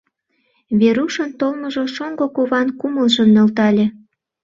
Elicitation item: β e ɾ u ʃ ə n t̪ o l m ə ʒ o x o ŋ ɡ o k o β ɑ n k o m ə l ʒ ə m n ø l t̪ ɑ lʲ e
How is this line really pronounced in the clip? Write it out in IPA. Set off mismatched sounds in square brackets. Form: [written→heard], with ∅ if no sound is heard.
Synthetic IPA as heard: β e ɾ u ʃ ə n t̪ o l m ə ʒ o [x→ʃ] o ŋ ɡ o k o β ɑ n k [o→u] m ə l ʒ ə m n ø l t̪ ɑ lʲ e